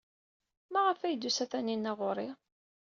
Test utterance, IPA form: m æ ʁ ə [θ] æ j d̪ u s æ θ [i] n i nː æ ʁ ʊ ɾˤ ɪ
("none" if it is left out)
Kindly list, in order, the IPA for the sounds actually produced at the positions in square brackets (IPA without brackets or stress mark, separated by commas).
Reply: f, æ